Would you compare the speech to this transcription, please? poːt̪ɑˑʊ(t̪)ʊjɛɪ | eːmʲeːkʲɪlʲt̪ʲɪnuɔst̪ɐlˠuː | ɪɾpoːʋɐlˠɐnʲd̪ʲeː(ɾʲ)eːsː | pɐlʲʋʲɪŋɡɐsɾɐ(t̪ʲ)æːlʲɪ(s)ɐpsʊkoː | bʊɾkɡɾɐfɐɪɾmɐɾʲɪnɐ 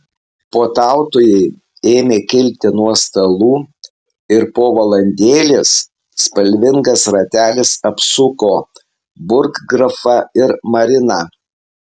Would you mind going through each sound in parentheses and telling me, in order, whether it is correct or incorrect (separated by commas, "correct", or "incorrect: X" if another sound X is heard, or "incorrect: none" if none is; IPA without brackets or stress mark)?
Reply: correct, incorrect: lʲ, correct, correct